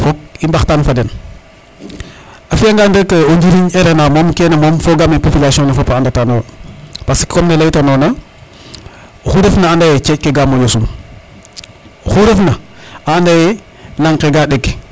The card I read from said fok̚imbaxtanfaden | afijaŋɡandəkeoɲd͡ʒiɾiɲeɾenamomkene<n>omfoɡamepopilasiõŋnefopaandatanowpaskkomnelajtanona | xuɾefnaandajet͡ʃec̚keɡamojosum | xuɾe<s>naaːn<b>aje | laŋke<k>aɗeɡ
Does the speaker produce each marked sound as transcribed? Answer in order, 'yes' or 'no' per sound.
no, no, no, no

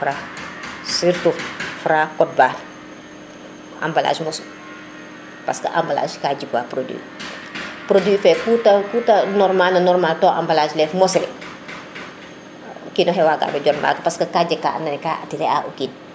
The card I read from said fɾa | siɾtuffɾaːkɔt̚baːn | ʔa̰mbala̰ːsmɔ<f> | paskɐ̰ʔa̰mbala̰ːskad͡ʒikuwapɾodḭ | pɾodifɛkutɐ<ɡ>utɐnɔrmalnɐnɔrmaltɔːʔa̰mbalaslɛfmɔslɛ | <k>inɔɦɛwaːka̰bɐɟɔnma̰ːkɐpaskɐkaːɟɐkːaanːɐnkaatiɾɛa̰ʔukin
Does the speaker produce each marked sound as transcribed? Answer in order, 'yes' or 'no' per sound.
no, no, yes

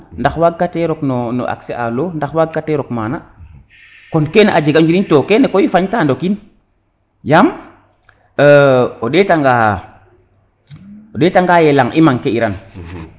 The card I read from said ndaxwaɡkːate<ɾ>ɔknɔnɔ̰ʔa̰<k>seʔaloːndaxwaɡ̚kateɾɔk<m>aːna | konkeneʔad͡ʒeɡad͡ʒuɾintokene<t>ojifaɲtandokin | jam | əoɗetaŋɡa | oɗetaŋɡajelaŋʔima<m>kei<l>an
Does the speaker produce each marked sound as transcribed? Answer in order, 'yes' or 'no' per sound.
yes, yes, yes, no, no, no

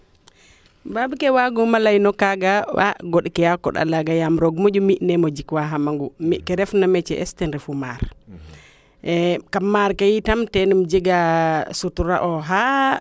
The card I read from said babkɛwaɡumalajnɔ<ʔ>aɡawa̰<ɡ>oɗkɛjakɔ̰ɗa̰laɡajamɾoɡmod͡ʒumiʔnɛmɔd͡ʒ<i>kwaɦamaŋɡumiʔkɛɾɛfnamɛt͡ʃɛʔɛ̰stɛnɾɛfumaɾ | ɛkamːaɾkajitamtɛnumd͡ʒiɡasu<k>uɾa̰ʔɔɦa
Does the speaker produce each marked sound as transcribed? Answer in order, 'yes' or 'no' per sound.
no, yes, yes, no

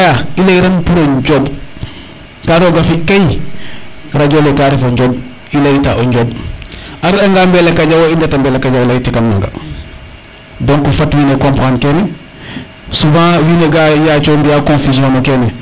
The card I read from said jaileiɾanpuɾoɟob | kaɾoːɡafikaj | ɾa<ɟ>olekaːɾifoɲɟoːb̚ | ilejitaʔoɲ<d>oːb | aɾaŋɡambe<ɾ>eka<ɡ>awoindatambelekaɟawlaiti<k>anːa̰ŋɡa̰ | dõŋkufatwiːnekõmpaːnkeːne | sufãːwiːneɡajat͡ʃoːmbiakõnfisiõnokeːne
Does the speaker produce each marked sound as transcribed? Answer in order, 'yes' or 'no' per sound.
yes, no, no, no, yes

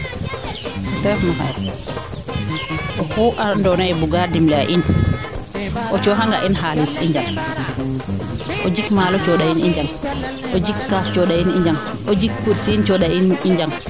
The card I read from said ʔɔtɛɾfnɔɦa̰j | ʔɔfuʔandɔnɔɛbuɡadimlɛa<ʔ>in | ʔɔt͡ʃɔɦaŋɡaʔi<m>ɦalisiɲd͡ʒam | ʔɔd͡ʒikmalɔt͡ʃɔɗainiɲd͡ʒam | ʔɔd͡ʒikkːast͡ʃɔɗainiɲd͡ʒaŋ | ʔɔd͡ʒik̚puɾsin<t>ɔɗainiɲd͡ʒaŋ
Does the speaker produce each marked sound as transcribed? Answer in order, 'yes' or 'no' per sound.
yes, no, no

